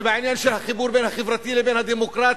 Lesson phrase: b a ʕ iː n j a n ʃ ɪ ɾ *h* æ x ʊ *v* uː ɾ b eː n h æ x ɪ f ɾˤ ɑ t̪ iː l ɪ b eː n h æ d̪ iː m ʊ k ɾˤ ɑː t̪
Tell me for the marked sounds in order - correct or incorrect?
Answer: correct, incorrect: b

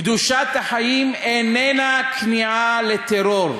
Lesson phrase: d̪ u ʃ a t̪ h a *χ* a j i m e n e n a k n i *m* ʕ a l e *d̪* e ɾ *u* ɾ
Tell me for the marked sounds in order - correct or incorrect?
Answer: incorrect: ħ, incorrect: none, incorrect: t̪, incorrect: o

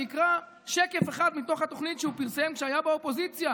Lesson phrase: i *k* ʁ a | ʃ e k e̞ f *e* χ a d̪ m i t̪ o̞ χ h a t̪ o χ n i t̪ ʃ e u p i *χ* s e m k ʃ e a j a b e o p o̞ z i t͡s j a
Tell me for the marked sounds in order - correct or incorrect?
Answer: correct, correct, incorrect: ʁ

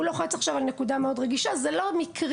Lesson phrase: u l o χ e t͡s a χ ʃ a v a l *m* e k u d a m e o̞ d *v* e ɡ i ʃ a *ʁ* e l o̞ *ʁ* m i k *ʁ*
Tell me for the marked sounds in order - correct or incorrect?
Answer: incorrect: n, incorrect: ʁ, incorrect: z, incorrect: none, correct

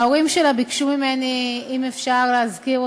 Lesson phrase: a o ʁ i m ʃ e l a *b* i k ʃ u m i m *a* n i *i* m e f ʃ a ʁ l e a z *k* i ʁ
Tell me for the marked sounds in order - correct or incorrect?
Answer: correct, incorrect: e, correct, correct

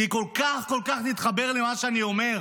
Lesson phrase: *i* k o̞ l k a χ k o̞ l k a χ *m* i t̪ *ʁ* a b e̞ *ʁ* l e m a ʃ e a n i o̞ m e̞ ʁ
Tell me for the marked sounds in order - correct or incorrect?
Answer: correct, incorrect: n, incorrect: χ, correct

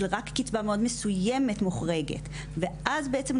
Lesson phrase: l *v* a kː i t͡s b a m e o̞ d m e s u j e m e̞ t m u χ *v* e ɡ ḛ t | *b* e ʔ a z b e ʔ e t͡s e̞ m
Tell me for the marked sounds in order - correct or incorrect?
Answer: incorrect: ʁ, incorrect: ʁ, incorrect: v

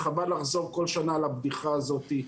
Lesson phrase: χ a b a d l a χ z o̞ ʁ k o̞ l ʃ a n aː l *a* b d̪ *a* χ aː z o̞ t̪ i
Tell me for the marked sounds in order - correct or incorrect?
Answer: correct, incorrect: i

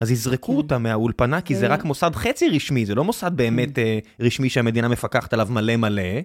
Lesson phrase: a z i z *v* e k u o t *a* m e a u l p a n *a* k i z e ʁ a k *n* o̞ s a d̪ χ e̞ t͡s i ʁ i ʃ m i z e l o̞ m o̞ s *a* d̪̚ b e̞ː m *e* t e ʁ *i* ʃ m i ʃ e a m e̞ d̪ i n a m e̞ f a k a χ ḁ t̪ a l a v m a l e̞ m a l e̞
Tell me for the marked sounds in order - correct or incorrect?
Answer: incorrect: ʁ, correct, correct, incorrect: m, correct, correct, correct

